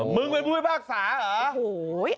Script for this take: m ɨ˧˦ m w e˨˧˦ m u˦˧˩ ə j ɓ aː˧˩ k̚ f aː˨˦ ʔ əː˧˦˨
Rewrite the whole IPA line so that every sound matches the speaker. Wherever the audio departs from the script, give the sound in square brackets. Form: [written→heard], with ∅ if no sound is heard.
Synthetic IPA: m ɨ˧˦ [m→ŋ] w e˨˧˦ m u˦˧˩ ə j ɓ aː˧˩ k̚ [f→s] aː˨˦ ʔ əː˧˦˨